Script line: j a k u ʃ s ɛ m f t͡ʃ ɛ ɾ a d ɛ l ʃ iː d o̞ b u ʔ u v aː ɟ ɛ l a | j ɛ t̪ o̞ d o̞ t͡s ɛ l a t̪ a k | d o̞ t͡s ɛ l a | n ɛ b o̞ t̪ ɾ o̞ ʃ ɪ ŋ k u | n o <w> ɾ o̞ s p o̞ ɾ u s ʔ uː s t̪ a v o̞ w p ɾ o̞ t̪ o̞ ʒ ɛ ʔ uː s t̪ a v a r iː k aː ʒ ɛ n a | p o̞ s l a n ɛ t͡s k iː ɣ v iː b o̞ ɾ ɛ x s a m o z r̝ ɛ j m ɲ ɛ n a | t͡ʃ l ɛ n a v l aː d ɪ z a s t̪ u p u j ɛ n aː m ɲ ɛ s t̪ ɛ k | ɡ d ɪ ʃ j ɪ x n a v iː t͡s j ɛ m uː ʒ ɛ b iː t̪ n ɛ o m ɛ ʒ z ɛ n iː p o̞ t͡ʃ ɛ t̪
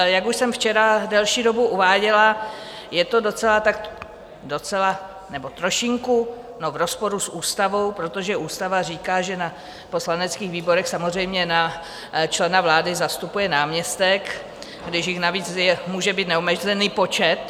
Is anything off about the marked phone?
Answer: yes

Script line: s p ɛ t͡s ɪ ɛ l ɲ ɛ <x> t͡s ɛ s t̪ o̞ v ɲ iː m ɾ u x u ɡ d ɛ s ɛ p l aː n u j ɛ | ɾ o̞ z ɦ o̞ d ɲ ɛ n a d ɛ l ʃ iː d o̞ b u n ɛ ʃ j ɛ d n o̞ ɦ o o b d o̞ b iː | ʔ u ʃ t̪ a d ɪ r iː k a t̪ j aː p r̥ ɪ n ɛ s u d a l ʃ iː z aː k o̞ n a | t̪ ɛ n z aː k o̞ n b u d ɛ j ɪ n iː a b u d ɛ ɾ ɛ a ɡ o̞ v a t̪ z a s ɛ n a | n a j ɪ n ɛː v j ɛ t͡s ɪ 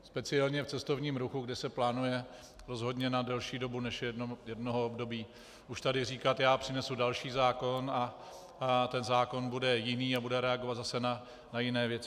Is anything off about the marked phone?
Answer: yes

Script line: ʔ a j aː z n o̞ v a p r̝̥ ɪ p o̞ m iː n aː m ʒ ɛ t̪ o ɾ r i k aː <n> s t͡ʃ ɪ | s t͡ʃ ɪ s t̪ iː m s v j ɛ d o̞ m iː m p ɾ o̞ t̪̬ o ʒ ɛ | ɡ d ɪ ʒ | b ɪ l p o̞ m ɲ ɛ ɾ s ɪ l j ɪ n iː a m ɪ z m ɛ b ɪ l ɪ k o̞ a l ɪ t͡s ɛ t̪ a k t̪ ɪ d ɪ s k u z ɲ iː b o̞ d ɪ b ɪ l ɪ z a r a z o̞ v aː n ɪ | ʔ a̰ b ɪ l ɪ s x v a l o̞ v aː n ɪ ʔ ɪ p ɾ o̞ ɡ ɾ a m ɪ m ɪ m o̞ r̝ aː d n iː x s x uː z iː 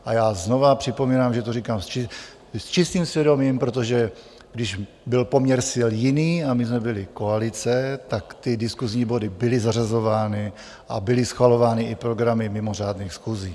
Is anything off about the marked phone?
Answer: yes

